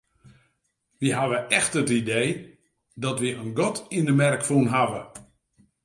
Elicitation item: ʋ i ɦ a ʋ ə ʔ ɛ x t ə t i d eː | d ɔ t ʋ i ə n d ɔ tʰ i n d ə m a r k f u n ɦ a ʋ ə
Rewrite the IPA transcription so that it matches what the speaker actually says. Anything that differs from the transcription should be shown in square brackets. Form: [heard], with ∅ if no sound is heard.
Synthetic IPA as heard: ʋ i ɦ a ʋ ə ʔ ɛ x t ə t i d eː | d ɔ t ʋ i ə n [ɡ] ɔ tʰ i n d ə m [ɛ] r k f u n ɦ a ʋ ə